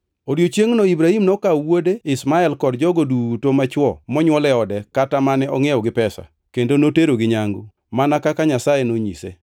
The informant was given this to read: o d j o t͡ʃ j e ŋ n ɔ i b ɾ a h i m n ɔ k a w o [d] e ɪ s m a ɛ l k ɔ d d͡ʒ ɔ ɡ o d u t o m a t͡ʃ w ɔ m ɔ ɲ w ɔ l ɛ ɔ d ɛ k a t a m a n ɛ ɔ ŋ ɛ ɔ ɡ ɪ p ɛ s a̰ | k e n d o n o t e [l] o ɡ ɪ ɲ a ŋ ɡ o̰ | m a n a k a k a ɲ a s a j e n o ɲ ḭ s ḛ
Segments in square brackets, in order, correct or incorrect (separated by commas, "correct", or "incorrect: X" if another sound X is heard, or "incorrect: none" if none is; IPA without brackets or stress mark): correct, incorrect: ɾ